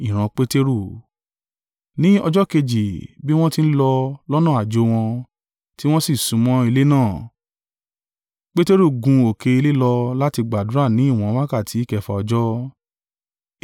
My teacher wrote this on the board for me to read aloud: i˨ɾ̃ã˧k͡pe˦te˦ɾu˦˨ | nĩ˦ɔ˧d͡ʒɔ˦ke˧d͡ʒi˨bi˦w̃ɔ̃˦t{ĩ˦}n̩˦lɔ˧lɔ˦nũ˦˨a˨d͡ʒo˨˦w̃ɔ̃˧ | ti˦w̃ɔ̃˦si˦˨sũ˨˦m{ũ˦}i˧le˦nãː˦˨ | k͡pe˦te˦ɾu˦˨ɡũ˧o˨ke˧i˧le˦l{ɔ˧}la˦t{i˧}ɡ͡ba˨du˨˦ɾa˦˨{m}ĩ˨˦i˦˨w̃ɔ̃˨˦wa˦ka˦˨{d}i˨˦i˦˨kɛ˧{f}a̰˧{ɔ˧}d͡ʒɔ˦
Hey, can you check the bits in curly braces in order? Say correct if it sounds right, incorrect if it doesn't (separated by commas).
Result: incorrect, incorrect, correct, correct, incorrect, incorrect, correct, correct